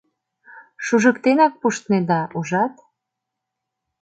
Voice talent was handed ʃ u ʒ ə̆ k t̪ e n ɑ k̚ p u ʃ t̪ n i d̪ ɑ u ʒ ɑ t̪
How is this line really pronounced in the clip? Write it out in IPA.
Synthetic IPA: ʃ u ʒ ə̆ k t̪ e n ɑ k̚ p u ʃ t̪ n e d̪ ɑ u ʒ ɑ t̪